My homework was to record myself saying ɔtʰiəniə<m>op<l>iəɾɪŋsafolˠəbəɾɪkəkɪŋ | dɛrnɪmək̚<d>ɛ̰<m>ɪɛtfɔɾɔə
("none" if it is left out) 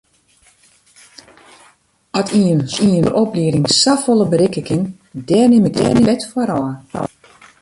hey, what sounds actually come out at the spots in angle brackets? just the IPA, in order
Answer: n, l, d, n

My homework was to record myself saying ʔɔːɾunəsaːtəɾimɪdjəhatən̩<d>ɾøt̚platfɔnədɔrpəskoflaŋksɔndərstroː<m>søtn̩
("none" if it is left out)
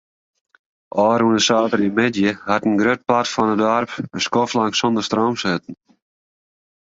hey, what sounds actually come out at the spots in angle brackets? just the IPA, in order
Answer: ɡ, m

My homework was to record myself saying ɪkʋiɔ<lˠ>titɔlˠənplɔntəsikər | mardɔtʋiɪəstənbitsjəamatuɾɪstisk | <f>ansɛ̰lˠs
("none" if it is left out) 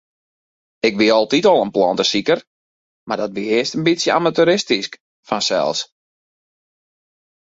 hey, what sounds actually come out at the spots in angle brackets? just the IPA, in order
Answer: lˠ, f

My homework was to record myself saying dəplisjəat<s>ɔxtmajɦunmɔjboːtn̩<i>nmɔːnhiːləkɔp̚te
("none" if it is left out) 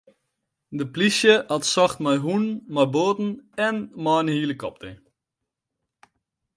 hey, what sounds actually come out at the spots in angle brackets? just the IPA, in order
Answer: s, ɛ

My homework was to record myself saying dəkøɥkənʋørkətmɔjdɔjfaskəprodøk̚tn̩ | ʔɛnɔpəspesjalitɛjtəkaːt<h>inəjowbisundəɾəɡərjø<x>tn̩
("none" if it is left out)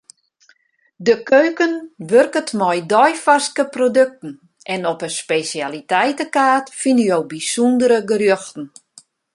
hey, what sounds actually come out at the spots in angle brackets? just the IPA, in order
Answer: f, x

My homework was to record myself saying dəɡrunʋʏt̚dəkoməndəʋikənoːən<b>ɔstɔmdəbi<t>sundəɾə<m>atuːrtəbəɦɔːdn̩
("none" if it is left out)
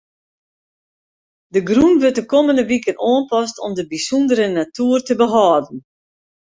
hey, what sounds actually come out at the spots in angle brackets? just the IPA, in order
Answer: p, none, n

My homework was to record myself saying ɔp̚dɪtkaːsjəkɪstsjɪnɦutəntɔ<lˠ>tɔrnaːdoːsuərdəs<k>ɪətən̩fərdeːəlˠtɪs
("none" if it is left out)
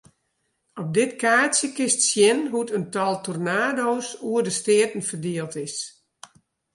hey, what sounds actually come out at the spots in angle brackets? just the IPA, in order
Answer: lˠ, t

